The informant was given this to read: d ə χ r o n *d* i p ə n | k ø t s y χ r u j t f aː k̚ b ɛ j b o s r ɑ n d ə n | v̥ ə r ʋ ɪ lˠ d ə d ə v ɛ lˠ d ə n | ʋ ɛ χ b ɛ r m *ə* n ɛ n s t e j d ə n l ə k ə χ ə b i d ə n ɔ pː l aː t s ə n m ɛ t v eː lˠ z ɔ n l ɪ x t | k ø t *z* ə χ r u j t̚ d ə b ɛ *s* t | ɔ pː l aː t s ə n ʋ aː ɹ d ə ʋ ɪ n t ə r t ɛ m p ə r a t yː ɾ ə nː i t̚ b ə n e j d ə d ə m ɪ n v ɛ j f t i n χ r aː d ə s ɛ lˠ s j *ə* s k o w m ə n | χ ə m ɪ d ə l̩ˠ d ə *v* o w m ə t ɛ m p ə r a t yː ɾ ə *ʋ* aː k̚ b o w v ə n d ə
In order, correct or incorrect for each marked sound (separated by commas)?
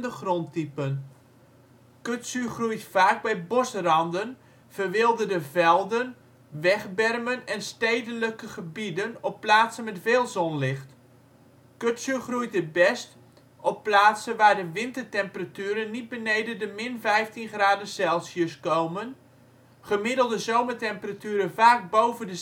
incorrect, correct, incorrect, correct, correct, incorrect, incorrect